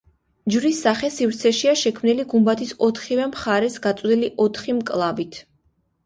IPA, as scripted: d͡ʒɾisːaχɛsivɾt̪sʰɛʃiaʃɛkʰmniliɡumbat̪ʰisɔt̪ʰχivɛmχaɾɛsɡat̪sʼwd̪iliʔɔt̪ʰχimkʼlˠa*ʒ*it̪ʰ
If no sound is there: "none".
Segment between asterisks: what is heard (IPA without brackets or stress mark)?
v